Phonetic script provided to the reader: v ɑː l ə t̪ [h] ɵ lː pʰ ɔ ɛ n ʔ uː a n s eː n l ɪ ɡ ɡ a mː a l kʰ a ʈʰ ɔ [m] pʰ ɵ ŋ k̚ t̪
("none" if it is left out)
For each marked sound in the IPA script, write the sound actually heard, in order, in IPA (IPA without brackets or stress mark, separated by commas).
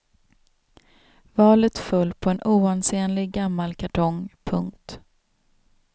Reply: f, ŋ